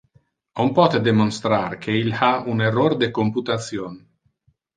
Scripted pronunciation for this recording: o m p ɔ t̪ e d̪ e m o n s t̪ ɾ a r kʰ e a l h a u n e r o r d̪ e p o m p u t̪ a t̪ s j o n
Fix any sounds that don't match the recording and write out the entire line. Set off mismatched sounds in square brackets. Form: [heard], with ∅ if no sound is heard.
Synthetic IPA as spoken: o m p ɔ t̪ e d̪ e m o n s t̪ ɾ a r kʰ e [i] l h a u n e r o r d̪ e [k] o m p u t̪ a t̪ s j o n